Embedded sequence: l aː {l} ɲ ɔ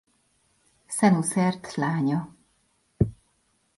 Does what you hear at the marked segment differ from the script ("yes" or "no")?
yes